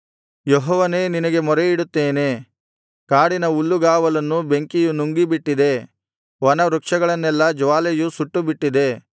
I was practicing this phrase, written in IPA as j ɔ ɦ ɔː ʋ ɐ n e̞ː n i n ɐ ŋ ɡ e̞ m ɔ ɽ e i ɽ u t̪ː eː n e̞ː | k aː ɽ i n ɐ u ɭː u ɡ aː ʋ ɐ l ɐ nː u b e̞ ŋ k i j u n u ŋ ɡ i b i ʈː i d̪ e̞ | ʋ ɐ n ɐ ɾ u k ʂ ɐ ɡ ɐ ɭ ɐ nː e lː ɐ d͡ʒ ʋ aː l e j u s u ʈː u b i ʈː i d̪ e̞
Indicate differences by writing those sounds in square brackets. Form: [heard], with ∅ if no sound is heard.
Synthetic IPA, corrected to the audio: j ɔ ɦ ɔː ʋ ɐ n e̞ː n i n ɐ [∅] ɡ e̞ m ɔ [ɾ] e i ɽ u t̪ː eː n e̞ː | k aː ɽ i n ɐ u [lː] u ɡ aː ʋ ɐ l ɐ nː u b e̞ ŋ k i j u n u ŋ ɡ i b i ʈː i d̪ e̞ | ʋ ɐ n ɐ ɾ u k ʂ ɐ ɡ ɐ ɭ ɐ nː [ɛ] lː ɐ d͡ʒ ʋ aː l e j u s u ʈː u b i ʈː i d̪ e̞